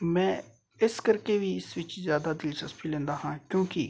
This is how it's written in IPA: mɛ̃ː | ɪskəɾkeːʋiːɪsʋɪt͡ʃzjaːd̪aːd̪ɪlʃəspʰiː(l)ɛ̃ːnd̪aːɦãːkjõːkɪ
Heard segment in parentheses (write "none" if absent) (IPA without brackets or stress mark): l